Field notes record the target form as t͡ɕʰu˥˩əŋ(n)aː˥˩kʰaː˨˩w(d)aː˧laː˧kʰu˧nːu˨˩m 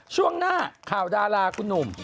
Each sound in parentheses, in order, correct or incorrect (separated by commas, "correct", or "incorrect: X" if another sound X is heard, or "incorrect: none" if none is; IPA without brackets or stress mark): correct, correct